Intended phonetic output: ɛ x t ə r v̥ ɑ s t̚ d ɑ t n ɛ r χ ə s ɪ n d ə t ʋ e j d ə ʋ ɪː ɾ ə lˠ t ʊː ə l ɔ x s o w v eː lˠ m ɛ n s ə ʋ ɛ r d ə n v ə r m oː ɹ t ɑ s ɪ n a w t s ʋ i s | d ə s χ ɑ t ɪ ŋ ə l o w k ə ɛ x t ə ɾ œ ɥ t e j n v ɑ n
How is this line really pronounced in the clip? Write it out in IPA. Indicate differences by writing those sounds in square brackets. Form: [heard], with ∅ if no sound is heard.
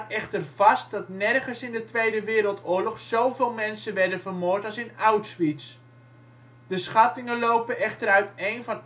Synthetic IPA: ɛ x t ə r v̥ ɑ s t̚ d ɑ t n ɛ r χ ə s ɪ n d ə t ʋ e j d ə ʋ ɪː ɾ ə lˠ t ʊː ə l ɔ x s o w v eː lˠ m ɛ n s ə ʋ ɛ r d ə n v ə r m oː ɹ t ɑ s ɪ n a w t s ʋ i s | d ə s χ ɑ t ɪ ŋ ə l o w [p] ə ɛ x t ə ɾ œ ɥ t e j n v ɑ n